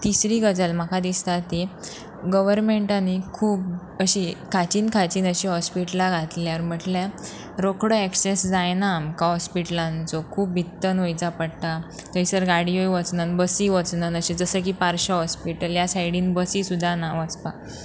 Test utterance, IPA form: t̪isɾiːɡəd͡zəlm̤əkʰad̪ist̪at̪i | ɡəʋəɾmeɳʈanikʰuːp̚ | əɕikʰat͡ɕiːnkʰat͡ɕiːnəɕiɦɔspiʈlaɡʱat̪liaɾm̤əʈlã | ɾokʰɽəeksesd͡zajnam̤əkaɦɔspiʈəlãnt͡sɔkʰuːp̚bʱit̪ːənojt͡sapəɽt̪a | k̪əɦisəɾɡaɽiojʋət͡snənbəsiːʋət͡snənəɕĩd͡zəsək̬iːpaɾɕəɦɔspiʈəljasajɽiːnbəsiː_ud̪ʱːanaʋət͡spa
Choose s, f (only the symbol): s